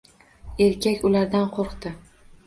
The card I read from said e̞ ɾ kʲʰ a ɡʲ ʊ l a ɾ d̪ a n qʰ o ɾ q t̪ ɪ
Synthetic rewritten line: e̞ ɾ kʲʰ a kʲ ʊ l a ɾ d̪ a n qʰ o ɾ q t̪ ɪ